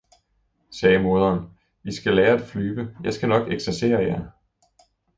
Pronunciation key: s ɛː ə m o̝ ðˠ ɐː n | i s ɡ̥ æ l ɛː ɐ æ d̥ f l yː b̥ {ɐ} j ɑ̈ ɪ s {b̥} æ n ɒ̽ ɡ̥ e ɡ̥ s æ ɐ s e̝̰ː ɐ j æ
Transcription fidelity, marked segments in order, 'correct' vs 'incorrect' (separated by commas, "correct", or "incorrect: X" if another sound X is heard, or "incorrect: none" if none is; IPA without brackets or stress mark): incorrect: ə, incorrect: ɡ̥